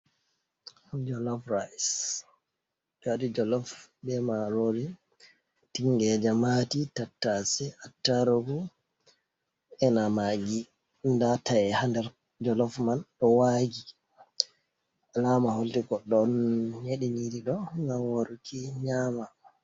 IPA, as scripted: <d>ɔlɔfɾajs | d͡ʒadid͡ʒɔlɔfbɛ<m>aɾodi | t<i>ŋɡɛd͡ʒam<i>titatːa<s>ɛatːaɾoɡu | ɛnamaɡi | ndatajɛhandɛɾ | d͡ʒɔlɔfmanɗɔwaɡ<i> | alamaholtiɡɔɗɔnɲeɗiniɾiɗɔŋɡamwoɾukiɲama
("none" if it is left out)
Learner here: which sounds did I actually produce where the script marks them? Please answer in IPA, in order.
d͡ʒ, m, i, a, s, i

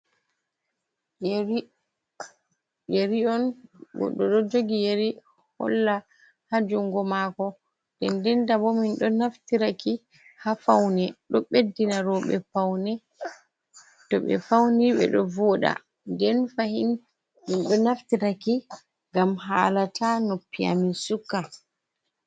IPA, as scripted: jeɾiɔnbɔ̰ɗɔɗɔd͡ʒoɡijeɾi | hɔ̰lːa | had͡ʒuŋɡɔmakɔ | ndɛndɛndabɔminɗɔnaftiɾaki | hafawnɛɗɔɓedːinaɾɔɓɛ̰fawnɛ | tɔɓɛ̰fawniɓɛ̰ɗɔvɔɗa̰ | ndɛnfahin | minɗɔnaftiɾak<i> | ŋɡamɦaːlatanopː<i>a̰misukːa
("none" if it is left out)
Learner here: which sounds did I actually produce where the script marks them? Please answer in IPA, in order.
i, i

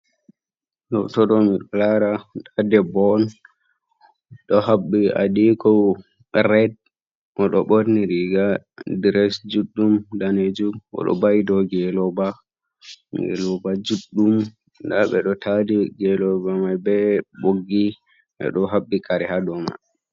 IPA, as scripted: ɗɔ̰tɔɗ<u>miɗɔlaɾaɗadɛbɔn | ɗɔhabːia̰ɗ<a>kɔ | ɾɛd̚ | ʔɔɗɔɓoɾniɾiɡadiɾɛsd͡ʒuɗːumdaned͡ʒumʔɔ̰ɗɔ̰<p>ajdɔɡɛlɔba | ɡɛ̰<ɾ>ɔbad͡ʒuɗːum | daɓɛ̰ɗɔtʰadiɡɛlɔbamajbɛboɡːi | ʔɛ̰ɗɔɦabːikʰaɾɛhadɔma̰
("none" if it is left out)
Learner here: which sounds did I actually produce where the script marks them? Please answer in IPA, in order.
ɔ, i, b, l

